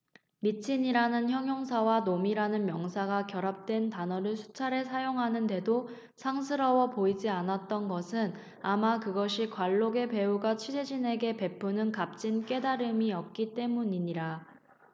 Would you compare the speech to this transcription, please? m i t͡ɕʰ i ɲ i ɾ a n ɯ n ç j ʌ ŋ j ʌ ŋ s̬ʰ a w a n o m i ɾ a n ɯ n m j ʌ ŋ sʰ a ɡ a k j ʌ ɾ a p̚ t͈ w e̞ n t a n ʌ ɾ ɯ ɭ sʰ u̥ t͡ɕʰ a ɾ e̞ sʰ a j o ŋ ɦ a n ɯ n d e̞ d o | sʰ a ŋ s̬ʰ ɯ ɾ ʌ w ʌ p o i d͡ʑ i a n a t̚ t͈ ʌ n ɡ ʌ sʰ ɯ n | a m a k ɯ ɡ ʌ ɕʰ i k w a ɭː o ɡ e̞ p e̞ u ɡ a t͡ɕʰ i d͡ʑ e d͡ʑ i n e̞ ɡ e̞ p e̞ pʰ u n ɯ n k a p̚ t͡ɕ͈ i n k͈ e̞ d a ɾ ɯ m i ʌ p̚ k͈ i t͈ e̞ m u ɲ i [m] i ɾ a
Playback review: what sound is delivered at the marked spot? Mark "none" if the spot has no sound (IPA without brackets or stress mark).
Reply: ɲ